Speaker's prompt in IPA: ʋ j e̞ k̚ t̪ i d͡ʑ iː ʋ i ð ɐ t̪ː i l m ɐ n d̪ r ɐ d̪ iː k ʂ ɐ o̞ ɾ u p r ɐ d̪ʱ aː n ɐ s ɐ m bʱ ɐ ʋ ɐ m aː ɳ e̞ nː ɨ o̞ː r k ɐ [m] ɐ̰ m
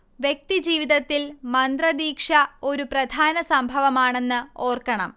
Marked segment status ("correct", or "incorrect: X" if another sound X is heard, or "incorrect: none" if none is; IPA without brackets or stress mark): incorrect: ɳ